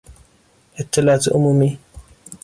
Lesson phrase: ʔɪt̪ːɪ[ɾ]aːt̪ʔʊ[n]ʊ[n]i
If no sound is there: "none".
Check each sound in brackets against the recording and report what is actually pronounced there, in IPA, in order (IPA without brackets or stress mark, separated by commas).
l, m, m